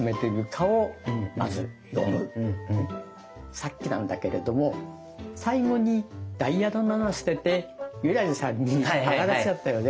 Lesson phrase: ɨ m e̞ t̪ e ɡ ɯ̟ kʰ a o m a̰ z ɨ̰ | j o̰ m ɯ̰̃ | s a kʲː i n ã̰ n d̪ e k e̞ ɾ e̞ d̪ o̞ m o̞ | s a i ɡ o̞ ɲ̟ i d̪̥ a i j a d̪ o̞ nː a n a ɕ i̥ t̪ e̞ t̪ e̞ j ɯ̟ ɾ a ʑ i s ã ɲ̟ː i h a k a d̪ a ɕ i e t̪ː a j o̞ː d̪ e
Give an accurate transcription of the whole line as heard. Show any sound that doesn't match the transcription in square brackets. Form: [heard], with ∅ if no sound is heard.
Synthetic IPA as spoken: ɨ m e̞ t̪ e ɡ ɯ̟ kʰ a o m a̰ z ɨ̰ | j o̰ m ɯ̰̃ | s a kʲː i n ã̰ n d̪ [a] k e̞ ɾ e̞ d̪ o̞ m o̞ | s a i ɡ o̞ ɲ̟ i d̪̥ a i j a d̪ o̞ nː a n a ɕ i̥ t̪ e̞ t̪ e̞ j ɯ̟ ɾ a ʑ i s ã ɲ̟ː i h a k a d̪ a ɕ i [a] t̪ː a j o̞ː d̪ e